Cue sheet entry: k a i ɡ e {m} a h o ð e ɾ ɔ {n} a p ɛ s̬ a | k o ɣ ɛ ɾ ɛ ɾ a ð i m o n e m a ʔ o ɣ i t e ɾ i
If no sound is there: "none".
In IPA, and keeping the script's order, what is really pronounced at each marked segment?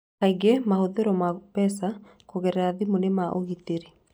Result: m, m

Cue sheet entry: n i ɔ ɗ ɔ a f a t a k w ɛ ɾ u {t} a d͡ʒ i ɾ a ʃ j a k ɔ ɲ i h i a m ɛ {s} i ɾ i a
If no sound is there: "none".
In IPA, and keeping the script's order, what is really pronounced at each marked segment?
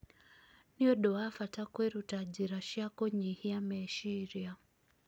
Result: t, ʃ

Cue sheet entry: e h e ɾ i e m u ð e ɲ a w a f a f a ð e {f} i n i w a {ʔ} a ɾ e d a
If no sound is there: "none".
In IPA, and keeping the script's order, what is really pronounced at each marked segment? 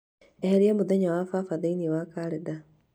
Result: none, k

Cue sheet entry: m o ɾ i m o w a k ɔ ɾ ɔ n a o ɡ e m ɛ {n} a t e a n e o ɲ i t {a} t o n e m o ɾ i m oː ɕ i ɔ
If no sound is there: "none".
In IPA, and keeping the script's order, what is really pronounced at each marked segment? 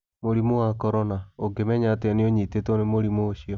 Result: ɲ, e

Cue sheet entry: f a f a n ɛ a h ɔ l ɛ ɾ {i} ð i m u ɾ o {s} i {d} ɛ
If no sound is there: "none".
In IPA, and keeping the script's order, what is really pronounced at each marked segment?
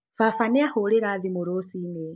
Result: a, s, n

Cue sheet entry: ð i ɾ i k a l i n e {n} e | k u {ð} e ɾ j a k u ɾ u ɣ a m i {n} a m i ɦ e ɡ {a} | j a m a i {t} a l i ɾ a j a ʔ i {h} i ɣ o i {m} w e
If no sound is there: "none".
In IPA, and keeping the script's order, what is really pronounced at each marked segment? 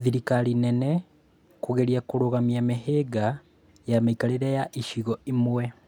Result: n, ɣ, none, a, k, ʃ, m

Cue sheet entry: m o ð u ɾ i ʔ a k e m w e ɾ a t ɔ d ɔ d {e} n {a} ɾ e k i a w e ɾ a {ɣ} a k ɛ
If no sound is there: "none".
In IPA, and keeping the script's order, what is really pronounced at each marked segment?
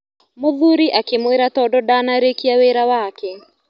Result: a, a, w

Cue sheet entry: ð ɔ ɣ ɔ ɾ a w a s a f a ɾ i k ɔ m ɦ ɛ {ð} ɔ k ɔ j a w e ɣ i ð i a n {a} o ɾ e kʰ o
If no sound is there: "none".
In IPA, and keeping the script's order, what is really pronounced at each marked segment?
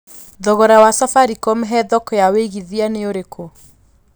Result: ð, e

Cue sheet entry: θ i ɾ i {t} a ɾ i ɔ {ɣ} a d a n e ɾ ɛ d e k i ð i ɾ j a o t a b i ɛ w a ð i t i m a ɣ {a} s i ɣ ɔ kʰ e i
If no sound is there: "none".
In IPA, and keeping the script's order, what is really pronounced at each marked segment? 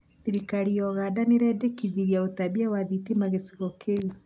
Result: k, ɣ, e

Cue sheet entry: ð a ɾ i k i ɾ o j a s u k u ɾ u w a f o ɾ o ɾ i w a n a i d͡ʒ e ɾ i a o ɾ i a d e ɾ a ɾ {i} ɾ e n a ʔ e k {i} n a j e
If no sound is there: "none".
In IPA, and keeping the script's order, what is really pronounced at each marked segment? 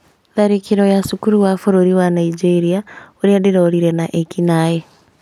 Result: i, i

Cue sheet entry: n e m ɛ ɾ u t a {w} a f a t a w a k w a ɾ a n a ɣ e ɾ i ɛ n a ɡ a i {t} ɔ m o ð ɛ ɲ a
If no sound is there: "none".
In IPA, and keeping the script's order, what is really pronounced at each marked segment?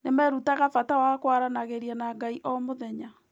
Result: ɣ, ʔ

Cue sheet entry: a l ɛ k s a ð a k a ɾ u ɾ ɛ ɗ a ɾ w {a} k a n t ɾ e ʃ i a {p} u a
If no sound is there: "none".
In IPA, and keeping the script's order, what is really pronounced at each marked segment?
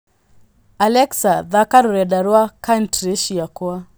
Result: a, k

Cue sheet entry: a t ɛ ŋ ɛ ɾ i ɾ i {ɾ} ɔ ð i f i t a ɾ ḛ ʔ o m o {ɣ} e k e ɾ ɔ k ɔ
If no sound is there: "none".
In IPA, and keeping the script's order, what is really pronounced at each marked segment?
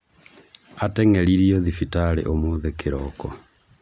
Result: none, ð

